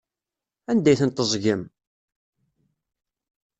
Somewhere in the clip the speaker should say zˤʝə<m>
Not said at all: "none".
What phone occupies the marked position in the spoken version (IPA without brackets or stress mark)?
m